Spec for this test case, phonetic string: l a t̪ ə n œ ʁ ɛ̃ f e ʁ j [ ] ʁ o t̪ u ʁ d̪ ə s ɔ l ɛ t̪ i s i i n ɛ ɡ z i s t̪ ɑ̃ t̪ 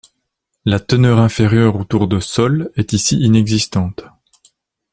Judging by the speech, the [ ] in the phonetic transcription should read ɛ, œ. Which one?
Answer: œ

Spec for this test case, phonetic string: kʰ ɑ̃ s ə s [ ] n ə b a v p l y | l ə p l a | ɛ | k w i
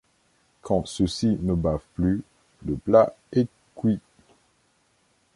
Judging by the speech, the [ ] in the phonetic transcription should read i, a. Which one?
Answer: i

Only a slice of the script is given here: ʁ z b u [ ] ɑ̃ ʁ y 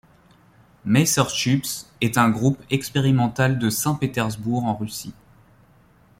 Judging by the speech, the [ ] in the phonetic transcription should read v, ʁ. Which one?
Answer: ʁ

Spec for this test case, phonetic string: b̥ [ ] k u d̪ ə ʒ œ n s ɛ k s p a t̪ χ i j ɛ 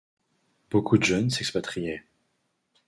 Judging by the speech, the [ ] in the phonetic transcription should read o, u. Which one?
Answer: o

